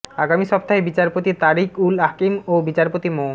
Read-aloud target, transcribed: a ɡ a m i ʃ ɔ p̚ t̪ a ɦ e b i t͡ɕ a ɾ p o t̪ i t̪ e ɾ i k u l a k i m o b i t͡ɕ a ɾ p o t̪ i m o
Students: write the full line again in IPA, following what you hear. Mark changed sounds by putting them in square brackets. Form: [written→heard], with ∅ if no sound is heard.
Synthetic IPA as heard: a ɡ a m i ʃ ɔ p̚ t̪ a ɦ e b i t͡ɕ a ɾ p o t̪ i t̪ [e→a] ɾ i k u l a k i m o b i t͡ɕ a ɾ p o t̪ i m o